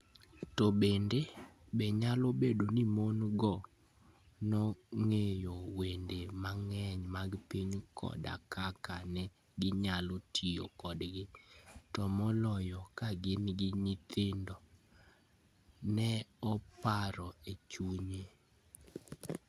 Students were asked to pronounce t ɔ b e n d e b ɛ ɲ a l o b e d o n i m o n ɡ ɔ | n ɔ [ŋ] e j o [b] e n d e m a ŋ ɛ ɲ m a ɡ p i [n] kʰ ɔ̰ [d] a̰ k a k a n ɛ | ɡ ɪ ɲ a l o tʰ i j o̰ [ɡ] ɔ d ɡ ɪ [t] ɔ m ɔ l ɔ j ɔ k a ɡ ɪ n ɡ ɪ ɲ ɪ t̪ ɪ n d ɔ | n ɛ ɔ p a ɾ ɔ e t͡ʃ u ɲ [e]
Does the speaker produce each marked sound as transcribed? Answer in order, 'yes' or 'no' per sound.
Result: yes, no, no, yes, no, yes, yes

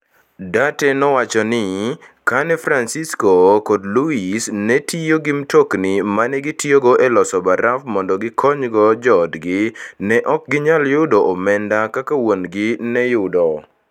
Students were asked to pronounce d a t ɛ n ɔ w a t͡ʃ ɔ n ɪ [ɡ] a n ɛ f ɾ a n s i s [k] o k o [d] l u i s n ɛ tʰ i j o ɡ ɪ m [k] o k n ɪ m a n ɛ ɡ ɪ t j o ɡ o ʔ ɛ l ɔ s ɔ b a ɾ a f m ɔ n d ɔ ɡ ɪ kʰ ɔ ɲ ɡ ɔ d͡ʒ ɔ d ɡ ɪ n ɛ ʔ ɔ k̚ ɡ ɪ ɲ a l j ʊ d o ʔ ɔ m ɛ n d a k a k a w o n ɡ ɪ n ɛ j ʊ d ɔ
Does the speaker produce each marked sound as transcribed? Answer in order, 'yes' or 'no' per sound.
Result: no, yes, yes, no

